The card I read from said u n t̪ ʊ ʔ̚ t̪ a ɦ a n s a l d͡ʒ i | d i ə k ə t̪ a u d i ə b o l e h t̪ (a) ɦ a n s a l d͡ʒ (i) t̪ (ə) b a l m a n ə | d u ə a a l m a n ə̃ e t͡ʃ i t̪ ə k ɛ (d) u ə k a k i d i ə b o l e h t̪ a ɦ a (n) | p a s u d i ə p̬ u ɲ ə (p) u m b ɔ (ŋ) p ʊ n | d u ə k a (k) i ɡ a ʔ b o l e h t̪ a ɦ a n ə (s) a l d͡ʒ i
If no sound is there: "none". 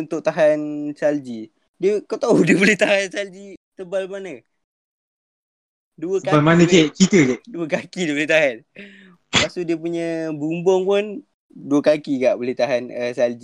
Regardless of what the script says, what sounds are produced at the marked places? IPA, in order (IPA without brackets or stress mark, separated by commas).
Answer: a, i, ə, d, n, b, ŋ, k, s